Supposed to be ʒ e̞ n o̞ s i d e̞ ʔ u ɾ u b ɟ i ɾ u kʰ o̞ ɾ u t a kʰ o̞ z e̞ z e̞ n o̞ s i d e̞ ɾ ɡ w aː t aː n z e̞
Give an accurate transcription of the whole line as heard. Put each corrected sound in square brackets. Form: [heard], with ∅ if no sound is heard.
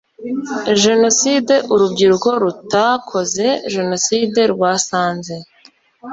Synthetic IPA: ʒ e̞ n o̞ s i d e̞ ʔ u ɾ u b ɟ i ɾ u [k] o̞ ɾ u t a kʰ o̞ z e̞ [ʒ] e̞ n o̞ s i d e̞ ɾ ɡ w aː [s] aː n z e̞